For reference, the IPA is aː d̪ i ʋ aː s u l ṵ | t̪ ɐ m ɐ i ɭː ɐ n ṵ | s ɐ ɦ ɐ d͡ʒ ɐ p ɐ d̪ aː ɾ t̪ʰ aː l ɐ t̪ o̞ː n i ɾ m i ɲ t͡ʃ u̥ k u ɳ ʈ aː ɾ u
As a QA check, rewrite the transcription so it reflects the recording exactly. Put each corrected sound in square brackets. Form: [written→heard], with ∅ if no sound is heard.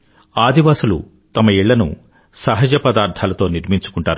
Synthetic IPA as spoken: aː d̪ i ʋ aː s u l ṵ | t̪ ɐ m ɐ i ɭː ɐ n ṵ | s ɐ ɦ ɐ d͡ʒ ɐ p ɐ d̪ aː ɾ t̪ʰ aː l ɐ t̪ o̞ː n i ɾ m i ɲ t͡ʃ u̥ k u ɳ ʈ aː ɾ u